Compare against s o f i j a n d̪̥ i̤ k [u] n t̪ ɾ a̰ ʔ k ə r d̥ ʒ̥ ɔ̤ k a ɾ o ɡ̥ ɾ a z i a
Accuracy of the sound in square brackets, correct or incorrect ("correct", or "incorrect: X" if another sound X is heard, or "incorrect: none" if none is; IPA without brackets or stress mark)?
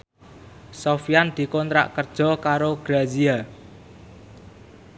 incorrect: ɔ